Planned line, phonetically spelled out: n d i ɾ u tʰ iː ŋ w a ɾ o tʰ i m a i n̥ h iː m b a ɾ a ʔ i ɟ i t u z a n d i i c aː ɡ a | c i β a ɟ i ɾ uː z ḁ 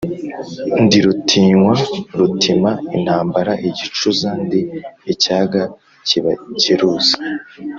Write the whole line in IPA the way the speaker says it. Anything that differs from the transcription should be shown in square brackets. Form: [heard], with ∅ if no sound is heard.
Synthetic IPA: n d i ɾ u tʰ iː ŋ w a ɾ [u] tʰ i m a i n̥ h [aː] m b a ɾ a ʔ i ɟ i [t͡ʃ] u z a n d i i c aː ɡ a | c i β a [c] i ɾ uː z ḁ